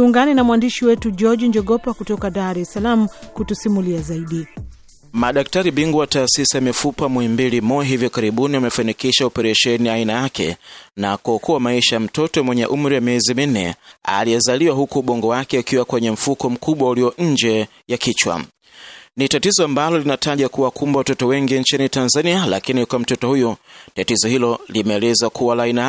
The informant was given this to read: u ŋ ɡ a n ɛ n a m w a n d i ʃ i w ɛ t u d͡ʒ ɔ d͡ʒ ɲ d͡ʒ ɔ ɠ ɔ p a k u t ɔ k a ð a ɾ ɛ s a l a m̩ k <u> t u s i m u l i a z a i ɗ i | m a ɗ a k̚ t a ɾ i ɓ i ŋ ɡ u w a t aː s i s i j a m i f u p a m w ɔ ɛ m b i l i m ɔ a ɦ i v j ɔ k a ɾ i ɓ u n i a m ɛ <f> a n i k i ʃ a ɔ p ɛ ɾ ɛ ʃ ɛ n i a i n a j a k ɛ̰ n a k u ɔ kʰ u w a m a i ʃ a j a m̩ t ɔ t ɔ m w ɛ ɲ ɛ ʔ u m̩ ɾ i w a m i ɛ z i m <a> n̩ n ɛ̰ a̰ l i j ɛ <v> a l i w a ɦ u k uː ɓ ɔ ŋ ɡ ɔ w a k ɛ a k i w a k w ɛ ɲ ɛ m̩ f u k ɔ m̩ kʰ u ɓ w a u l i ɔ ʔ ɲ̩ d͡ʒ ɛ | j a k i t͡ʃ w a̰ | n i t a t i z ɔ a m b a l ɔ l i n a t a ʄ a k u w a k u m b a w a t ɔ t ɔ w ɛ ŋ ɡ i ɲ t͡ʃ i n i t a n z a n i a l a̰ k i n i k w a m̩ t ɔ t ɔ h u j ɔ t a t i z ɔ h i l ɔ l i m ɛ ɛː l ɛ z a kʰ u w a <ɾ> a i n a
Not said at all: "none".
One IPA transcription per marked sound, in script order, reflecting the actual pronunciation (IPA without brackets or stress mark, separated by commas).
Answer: u, f, i, z, l